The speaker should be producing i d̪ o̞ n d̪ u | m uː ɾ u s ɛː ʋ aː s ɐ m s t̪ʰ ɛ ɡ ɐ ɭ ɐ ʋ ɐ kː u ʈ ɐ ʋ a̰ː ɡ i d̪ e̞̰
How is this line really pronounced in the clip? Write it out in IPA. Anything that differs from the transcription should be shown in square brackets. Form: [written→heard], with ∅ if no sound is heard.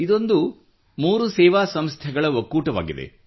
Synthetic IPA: i d̪ o̞ n d̪ u | m uː ɾ u s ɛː ʋ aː s ɐ m s t̪ʰ ɛ ɡ ɐ ɭ ɐ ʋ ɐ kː [u→uː] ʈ ɐ ʋ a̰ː ɡ i d̪ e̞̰